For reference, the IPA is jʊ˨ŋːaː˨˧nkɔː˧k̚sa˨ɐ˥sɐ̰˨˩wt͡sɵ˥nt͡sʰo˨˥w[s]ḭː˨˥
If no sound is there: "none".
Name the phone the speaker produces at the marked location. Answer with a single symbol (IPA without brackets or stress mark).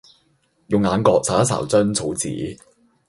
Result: t͡s